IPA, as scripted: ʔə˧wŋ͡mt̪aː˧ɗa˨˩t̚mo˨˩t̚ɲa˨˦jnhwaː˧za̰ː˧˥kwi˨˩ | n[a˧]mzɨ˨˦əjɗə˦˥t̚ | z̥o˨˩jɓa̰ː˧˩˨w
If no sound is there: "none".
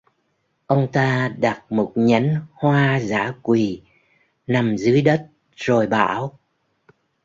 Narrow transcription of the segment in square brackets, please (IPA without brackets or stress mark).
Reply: a˨˩